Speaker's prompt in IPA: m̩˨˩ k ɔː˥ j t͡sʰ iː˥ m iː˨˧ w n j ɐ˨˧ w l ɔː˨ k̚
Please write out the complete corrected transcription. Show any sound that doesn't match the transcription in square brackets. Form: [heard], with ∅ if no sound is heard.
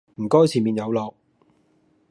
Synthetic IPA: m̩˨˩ k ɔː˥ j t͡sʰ [iː˨˩] m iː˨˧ [∅] n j ɐ˨˧ w l ɔː˨ k̚